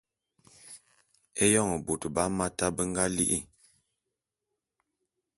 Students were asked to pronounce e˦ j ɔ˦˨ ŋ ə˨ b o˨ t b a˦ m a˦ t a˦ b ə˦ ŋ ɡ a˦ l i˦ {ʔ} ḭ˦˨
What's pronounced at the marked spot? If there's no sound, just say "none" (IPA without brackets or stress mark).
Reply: ʔ